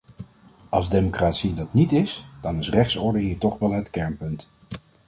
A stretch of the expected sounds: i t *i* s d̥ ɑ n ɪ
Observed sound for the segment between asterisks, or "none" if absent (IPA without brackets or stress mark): ɪ